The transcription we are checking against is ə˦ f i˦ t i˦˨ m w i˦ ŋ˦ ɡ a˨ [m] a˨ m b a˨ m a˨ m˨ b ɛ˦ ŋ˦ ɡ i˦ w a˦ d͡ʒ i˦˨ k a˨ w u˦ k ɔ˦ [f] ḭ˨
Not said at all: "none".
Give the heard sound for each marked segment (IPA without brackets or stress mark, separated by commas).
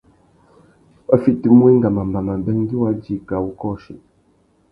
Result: m, ʃ